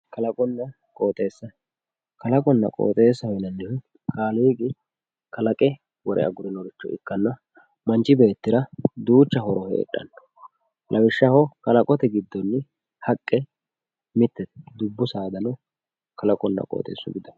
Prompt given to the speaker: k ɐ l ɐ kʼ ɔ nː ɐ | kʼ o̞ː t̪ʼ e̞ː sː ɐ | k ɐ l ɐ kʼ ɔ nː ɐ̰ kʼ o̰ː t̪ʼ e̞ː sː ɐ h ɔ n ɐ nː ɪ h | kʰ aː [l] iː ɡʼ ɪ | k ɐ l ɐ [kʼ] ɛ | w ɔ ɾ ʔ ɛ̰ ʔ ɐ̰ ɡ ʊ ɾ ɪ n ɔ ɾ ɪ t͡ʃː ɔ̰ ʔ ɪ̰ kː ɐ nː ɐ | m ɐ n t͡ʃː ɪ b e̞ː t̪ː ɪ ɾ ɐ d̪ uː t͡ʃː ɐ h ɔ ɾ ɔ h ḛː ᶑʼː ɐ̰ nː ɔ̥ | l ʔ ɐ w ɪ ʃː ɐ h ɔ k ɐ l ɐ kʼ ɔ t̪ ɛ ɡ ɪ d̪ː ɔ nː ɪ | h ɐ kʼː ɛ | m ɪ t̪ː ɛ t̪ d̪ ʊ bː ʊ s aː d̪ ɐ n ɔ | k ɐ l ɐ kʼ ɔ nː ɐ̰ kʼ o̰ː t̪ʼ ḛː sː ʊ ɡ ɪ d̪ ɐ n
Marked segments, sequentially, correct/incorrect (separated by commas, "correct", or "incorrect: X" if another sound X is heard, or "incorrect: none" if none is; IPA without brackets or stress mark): correct, correct